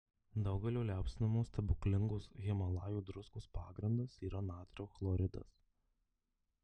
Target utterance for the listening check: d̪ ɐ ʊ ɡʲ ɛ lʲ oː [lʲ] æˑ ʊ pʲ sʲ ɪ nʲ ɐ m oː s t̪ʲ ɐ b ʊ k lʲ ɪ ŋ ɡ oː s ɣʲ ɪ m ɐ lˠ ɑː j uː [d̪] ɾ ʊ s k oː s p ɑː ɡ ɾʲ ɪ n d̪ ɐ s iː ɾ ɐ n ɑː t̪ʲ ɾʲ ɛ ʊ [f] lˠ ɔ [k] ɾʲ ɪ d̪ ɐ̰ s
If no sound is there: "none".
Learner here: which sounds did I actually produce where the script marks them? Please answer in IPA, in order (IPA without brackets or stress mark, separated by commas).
lʲ, d̪, x, none